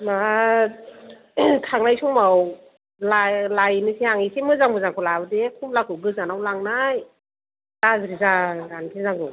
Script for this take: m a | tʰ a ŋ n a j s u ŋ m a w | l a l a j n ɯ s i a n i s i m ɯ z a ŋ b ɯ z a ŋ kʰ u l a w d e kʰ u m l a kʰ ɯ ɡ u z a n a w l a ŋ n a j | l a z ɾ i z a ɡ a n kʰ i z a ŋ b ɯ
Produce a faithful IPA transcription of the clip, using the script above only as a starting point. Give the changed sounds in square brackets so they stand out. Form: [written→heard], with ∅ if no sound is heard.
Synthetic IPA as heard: m a | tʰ a ŋ n a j s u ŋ m a w | l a l a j n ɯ s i a [n→ŋ] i s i m ɯ z a ŋ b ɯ z a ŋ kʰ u l a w d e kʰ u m l a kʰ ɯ ɡ [u→ɯ] z a n a w l a ŋ n a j | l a z ɾ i z a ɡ a n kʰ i z a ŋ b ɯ